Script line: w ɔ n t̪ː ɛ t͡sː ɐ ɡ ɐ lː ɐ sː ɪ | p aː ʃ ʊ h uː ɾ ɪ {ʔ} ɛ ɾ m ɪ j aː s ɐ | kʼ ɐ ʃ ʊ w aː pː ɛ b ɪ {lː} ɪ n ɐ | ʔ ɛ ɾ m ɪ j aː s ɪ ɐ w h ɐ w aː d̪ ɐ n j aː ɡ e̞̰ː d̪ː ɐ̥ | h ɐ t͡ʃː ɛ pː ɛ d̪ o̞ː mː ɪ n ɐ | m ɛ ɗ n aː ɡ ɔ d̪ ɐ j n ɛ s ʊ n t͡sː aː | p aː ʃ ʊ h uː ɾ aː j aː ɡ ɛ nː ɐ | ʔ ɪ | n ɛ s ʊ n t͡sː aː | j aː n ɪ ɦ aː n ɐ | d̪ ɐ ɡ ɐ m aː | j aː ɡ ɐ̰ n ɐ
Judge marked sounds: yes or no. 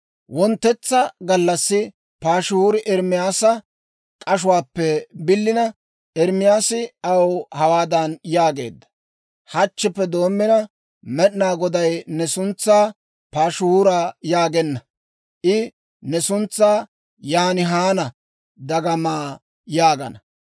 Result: yes, yes

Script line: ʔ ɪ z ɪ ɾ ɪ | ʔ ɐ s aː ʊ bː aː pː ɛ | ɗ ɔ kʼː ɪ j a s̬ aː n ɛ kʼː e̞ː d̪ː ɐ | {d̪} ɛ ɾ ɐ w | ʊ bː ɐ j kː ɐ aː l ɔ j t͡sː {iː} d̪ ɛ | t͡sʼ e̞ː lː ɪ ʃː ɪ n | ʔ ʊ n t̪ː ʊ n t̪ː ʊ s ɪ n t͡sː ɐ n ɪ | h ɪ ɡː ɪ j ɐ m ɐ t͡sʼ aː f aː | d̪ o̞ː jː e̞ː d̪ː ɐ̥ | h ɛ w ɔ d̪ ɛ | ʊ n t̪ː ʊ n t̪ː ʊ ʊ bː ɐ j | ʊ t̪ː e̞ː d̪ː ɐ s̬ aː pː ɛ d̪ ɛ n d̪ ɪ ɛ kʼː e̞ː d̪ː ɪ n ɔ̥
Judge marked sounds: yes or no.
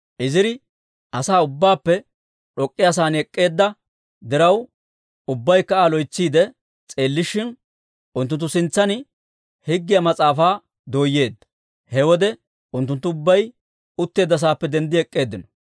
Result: yes, yes

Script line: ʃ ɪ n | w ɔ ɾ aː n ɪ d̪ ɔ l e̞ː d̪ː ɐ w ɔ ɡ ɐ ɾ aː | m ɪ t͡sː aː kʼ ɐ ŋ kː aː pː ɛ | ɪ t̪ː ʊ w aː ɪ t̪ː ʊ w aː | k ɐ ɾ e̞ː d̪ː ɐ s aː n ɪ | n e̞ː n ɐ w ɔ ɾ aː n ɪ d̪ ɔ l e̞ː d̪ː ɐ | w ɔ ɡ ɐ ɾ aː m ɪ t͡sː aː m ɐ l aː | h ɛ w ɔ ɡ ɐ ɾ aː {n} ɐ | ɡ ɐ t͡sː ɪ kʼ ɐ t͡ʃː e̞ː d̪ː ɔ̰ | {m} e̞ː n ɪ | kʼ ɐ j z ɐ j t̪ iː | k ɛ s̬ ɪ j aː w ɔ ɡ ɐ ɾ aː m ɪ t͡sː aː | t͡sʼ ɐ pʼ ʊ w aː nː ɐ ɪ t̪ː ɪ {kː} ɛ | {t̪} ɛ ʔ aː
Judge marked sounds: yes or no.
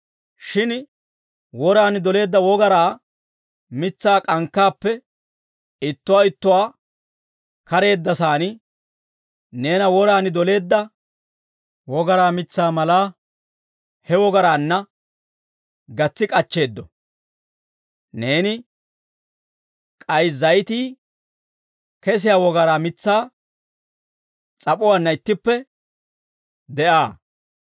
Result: no, no, no, no

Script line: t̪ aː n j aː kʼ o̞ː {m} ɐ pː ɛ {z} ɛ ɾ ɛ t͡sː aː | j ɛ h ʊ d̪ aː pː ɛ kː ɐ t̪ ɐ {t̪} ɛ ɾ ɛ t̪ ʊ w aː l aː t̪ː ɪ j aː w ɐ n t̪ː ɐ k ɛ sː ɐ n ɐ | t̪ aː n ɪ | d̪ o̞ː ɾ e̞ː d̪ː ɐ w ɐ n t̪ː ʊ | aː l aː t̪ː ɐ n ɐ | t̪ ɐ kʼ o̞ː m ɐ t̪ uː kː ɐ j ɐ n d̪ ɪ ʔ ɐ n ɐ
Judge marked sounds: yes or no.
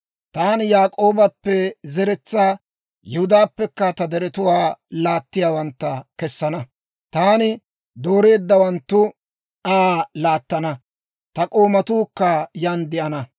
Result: no, yes, no

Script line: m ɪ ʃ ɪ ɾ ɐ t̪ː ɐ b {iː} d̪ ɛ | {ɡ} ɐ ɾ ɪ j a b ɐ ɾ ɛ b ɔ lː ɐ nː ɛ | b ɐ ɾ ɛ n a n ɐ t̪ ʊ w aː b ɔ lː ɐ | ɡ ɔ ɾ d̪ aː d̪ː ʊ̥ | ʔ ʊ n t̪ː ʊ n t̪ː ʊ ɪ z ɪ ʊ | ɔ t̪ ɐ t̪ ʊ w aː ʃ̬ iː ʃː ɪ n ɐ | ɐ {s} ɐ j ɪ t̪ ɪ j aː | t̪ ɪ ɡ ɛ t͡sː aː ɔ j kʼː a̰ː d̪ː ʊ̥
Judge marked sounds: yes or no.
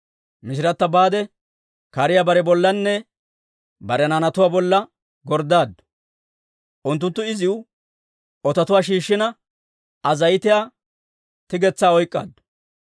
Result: no, no, no

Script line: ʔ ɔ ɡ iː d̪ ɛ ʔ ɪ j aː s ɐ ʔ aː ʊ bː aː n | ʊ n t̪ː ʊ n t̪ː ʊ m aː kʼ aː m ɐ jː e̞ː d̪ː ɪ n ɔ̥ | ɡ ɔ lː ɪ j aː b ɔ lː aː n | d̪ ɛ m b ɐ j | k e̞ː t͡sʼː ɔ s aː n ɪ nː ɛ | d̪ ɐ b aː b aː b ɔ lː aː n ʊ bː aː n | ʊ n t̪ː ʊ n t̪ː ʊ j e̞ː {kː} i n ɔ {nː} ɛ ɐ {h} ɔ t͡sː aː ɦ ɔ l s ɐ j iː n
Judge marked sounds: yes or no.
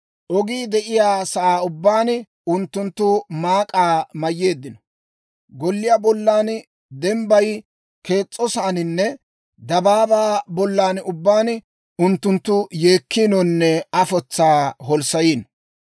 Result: yes, yes, no

